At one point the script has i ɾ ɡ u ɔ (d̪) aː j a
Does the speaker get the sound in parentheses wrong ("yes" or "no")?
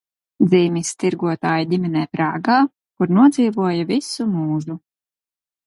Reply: yes